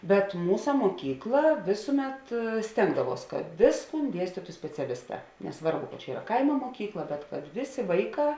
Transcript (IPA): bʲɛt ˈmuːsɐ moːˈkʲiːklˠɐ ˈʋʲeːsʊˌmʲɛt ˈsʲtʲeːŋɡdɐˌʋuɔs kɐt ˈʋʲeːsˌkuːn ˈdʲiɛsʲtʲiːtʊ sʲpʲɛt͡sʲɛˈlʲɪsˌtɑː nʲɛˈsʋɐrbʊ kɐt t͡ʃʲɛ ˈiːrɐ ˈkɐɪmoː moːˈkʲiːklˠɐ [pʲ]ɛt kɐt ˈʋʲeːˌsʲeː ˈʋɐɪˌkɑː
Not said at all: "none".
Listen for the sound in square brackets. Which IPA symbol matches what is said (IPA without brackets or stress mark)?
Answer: bʲ